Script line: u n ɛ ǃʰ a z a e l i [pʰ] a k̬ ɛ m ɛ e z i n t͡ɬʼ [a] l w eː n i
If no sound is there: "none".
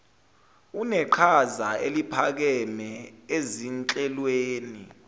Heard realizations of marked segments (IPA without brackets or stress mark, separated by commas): pʰ, ɛ